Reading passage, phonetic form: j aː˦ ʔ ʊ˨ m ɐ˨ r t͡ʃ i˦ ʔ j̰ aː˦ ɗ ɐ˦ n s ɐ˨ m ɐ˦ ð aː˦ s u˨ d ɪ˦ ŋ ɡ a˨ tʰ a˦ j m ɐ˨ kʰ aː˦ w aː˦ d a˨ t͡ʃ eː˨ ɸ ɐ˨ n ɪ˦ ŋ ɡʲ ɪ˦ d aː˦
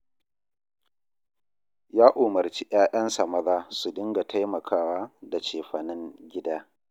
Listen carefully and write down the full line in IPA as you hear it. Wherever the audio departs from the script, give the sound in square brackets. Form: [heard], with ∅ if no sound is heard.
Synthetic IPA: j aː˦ ʔ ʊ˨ m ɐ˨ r t͡ʃ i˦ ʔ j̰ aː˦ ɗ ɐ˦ n s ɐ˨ m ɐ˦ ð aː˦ s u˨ d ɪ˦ ŋ ɡ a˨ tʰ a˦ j m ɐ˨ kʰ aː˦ w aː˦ d a˨ t͡ʃ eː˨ ɸ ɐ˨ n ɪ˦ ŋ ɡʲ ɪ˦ d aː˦